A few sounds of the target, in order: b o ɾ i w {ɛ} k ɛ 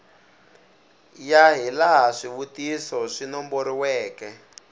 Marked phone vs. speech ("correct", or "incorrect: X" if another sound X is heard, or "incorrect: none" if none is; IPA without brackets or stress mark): incorrect: ɛː